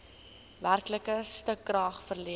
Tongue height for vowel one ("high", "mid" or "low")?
low